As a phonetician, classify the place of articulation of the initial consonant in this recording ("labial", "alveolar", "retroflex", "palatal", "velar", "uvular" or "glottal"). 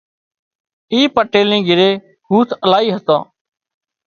labial